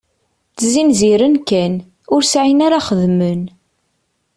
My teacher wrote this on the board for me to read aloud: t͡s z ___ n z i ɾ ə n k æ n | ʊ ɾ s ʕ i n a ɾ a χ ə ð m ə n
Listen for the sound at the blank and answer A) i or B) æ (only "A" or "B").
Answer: A